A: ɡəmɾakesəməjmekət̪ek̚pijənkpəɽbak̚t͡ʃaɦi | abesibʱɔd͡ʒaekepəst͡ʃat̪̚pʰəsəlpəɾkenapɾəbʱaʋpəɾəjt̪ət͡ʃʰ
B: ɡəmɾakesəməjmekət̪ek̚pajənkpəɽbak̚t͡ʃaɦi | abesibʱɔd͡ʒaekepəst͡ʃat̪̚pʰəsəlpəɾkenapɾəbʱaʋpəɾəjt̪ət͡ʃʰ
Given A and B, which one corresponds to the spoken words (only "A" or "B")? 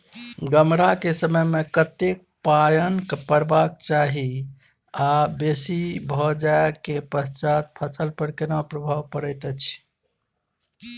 B